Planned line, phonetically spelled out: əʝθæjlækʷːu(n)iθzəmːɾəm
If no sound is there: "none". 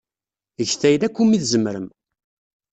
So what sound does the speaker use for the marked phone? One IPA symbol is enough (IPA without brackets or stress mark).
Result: m